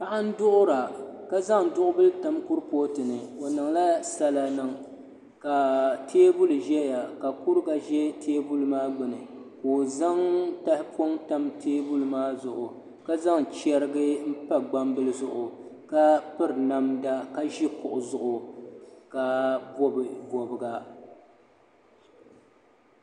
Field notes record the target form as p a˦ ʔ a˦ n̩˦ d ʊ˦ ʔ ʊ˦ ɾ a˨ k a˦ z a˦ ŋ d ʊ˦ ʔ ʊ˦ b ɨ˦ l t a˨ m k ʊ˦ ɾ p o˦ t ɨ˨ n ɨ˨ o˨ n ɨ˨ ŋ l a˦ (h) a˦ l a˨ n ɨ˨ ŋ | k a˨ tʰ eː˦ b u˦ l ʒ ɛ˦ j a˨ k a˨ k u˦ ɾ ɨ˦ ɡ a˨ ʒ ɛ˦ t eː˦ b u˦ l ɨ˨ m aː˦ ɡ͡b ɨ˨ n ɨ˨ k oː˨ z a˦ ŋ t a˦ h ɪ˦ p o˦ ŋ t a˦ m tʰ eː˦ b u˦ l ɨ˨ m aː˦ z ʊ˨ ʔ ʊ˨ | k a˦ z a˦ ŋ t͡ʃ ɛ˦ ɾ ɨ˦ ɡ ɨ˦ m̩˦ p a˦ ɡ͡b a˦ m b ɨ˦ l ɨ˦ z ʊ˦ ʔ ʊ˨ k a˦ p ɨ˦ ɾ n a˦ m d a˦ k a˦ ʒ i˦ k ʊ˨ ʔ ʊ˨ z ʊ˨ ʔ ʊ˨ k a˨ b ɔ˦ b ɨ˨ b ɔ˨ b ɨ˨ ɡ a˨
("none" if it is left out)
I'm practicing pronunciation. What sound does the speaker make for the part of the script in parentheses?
s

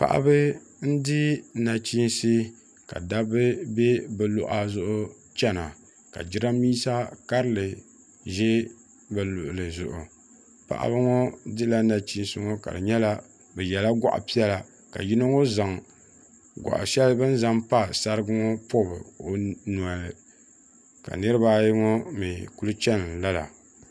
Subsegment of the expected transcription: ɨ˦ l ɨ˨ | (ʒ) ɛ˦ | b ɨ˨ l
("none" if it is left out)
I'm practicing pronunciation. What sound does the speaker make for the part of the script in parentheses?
ʒ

